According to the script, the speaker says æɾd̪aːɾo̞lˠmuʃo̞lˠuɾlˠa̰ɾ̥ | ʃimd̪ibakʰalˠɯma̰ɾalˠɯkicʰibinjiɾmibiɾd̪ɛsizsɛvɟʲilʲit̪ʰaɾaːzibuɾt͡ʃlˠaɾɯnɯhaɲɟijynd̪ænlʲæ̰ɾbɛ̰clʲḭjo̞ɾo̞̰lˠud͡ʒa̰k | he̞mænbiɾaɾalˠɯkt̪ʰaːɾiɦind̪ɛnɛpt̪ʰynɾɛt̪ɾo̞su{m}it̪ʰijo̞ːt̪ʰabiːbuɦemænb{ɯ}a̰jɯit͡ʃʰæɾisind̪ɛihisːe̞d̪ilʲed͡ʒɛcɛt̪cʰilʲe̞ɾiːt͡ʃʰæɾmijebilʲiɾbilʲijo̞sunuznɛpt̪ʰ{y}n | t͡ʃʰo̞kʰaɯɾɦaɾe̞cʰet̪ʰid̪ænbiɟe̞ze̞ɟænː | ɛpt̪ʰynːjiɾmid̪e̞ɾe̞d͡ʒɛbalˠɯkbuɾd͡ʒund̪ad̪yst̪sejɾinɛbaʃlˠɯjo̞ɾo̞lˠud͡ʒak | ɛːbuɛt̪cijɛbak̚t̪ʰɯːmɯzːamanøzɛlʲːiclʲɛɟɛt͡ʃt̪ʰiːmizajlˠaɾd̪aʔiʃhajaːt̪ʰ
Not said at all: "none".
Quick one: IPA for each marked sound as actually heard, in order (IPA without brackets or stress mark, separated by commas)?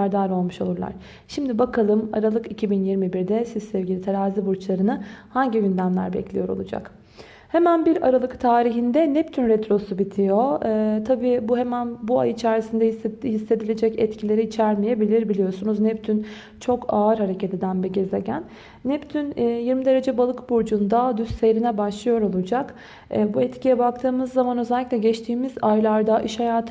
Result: b, u, y